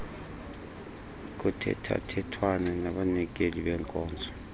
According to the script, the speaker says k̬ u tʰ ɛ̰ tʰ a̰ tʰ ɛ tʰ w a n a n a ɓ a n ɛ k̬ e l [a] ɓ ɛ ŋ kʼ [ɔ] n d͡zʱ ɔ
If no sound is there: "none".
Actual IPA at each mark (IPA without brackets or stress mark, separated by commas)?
i, ɔː